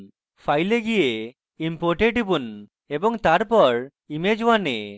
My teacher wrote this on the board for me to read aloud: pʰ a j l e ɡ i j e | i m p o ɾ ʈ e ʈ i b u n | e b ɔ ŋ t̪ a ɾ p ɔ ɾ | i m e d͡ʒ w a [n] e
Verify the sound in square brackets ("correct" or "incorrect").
correct